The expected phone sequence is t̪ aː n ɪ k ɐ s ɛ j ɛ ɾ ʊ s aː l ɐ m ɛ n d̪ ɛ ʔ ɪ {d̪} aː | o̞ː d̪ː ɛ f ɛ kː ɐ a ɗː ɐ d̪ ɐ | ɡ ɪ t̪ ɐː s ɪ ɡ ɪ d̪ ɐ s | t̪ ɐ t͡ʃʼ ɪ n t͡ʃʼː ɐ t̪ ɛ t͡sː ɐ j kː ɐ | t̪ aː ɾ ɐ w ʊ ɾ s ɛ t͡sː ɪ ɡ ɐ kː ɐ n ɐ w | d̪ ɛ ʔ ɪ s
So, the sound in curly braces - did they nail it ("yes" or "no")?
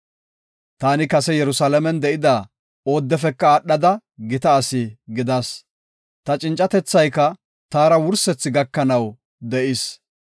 yes